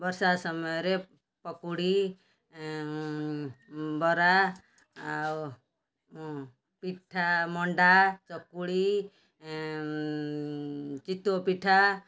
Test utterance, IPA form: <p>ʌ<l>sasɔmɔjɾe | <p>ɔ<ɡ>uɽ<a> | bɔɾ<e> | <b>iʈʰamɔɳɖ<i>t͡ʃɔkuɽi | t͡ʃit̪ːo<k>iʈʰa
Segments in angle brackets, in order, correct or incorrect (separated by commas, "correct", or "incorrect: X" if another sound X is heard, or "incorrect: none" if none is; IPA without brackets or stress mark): incorrect: b, incorrect: ɾ, correct, incorrect: k, incorrect: i, incorrect: a, incorrect: p, incorrect: a, incorrect: p